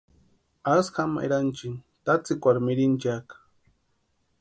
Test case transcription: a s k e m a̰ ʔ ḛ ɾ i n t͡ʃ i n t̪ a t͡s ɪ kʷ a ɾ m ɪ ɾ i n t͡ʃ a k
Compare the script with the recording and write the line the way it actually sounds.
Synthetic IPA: a s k a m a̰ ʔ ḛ ɾ a n t͡ʃ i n t̪ a t͡s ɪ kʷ a ɾ m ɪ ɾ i n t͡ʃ a k